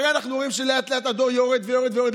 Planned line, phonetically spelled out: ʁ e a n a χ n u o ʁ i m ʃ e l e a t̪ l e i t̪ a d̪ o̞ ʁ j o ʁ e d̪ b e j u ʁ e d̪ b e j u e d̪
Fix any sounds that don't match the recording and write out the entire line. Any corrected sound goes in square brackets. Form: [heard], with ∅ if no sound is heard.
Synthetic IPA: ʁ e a n a χ n u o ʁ i m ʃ e l e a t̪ l e [a] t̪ a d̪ o̞ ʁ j o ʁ e d̪ [v] e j [o] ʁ e d̪ [v] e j [o] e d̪